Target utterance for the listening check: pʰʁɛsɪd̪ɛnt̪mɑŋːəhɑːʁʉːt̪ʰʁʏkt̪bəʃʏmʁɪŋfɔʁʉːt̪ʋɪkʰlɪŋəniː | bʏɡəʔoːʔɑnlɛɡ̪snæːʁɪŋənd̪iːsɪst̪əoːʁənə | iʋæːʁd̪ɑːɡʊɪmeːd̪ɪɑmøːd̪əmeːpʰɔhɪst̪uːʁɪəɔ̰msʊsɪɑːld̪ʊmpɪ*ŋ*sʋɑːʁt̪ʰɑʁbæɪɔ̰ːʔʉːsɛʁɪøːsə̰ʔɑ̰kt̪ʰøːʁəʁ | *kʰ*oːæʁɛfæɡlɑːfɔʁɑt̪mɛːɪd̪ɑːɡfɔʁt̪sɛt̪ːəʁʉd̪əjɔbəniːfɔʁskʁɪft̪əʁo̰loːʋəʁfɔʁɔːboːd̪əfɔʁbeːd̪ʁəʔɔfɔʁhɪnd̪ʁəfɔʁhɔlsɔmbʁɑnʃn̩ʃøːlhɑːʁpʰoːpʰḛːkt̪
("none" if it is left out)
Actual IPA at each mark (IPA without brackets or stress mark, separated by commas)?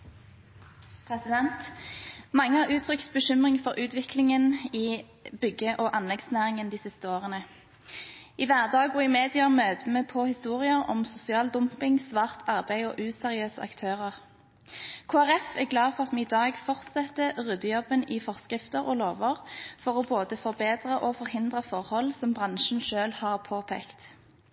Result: ŋ, kʰ